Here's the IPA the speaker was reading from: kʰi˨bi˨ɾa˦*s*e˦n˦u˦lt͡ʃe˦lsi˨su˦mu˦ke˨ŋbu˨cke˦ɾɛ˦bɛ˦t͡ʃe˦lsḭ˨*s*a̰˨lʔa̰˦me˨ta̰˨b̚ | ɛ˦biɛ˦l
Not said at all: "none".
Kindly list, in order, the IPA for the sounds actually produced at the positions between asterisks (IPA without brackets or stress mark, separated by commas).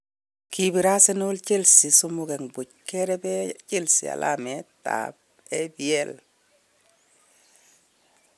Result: s, none